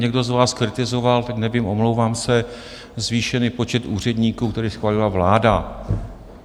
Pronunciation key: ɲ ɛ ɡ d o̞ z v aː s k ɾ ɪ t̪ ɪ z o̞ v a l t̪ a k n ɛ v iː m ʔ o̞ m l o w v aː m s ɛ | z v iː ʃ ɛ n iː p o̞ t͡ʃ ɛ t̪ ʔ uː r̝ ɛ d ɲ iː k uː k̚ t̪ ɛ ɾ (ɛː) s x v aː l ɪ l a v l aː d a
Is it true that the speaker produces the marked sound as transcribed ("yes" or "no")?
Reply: no